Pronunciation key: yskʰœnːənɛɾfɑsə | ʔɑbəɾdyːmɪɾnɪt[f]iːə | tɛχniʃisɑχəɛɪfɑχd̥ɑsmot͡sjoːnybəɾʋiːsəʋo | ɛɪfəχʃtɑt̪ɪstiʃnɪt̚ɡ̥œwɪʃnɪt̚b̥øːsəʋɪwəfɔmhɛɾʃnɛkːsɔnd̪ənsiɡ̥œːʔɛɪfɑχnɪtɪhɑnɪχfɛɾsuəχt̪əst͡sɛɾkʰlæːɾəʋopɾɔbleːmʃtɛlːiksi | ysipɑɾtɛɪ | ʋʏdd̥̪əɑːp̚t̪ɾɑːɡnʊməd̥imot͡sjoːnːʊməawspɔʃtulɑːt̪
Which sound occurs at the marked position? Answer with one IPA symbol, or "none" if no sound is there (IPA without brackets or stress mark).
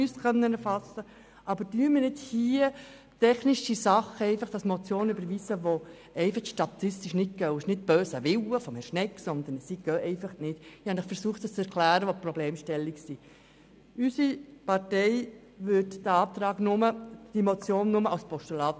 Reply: h